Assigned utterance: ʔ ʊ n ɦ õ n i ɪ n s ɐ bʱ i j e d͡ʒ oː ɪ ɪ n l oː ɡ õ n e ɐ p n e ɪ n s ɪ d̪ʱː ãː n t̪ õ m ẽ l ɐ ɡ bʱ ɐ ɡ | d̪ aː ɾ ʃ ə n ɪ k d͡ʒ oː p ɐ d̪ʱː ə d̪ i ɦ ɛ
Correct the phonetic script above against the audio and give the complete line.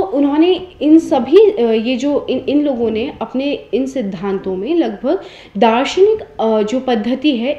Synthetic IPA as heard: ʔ ʊ n ɦ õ n e ɪ n s ɐ bʱ i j e d͡ʒ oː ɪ ɪ n l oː ɡ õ n e ɐ p n e ɪ n s ɪ d̪ʱː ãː n t̪ õ m ẽ l ɐ ɡ bʱ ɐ ɡ | d̪ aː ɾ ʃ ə n ɪ k d͡ʒ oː p ɐ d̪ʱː ə t̪ i ɦ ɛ